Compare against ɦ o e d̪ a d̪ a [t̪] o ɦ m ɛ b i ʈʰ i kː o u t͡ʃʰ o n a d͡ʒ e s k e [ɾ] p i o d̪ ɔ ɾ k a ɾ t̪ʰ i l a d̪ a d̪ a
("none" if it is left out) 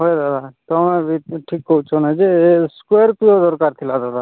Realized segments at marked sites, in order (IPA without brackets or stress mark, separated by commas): t̪, ɾ